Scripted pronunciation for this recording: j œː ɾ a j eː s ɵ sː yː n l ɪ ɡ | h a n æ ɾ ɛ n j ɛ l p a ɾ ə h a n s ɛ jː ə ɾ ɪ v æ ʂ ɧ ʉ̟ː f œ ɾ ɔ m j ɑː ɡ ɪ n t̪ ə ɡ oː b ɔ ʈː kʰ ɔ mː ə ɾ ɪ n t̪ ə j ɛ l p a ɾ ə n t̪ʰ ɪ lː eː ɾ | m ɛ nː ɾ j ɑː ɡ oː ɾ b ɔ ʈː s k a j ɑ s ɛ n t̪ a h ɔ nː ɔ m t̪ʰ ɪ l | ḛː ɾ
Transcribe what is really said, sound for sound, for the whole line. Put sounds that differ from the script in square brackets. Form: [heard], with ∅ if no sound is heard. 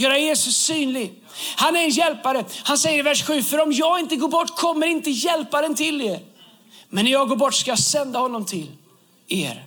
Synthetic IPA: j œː ɾ a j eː s ɵ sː yː n l ɪ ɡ | h a n æ ɾ ɛ n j ɛ l p a ɾ ə h a n s ɛ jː ə ɾ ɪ v æ ʂ ɧ ʉ̟ː f œ ɾ ɔ m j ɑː ɡ ɪ n t̪ ə ɡ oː b ɔ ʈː kʰ ɔ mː ə ɾ ɪ n t̪ ə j ɛ l p a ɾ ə n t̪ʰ ɪ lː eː ɾ | m ɛ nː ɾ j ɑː ɡ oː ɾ b ɔ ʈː s k a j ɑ s ɛ n [d̪] a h ɔ nː ɔ m t̪ʰ ɪ l | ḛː ɾ